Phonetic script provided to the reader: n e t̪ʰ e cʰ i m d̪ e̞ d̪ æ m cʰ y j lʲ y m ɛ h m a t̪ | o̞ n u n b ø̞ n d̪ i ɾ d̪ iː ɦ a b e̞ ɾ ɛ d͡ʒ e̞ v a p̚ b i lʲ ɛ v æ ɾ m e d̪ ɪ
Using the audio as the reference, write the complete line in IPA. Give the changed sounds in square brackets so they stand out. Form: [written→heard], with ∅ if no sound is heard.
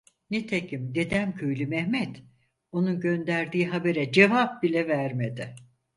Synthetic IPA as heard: n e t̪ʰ e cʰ i m d̪ e̞ d̪ æ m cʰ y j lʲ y m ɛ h m [a→ɛ] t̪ | o̞ n u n [b→ɟ] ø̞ n d̪ [i→æ] ɾ d̪ iː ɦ a b e̞ ɾ ɛ d͡ʒ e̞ v a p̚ b i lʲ ɛ v æ ɾ m e d̪ ɪ